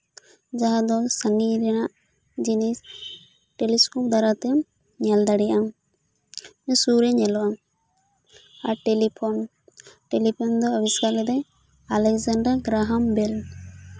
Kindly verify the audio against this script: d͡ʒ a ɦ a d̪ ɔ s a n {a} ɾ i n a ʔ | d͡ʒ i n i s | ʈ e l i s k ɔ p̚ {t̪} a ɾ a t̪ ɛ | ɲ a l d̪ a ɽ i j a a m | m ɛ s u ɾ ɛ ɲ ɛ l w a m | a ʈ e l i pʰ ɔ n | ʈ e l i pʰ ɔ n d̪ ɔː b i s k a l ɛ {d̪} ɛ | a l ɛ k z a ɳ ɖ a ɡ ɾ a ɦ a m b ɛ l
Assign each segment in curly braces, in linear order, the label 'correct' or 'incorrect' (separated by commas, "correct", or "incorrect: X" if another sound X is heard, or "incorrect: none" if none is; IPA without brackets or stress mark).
incorrect: i, incorrect: d̪, correct